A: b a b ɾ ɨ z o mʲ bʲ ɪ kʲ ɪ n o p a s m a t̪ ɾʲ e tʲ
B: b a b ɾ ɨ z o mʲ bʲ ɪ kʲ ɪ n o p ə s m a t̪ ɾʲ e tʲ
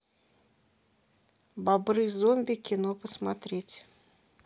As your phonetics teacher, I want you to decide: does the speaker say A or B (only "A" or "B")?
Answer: B